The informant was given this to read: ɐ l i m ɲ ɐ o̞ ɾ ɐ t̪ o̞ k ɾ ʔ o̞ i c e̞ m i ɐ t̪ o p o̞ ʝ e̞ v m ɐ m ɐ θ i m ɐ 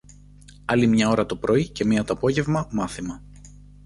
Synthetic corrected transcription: ɐ l i m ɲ ɐ o̞ ɾ ɐ t̪ o̞ p ɾ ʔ o̞ i c e̞ m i ɐ t̪ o p o̞ ʝ e̞ v m ɐ m ɐ θ i m ɐ

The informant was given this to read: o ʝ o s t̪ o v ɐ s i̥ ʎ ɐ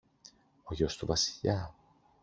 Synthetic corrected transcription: o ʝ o s t̪ u v ɐ s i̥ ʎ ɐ

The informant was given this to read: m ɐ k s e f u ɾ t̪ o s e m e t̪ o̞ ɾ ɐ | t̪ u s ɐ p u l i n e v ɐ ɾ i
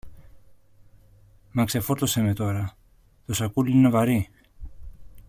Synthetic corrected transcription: m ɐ k s e f o ɾ t̪ o s e m e t̪ o̞ ɾ ɐ | t̪ o s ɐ k u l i n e v ɐ ɾ i

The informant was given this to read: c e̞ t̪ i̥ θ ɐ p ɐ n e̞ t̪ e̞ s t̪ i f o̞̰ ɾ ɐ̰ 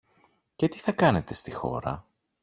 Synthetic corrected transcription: c e̞ t̪ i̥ θ ɐ k ɐ n e̞ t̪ e̞ s t̪ i x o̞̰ ɾ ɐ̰

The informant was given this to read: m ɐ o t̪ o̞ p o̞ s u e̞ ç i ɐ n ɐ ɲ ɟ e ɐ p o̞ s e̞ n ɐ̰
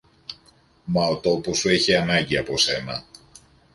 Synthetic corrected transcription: m ɐ o t̪ o̞ p o̞ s u e̞ ç i ɐ n ɐ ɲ ɟ i ɐ p o̞ s e̞ n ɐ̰

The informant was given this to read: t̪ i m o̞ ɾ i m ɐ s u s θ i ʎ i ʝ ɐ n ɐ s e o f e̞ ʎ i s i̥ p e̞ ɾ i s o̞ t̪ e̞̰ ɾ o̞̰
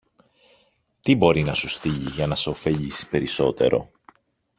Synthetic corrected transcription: t̪ i b o̞ ɾ i n ɐ s u s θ i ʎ i ʝ ɐ n ɐ s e o f e̞ ʎ i s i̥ p e̞ ɾ i s o̞ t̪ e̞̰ ɾ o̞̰

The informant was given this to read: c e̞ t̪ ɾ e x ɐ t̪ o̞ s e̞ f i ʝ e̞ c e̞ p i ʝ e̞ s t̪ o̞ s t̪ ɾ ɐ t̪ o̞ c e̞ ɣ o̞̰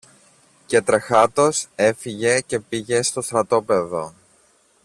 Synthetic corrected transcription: c e̞ t̪ ɾ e x ɐ t̪ o̞ s e̞ f i ʝ e̞ c e̞ p i ʝ e̞ s t̪ o̞ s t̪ ɾ ɐ t̪ o̞ p e̞ ð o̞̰

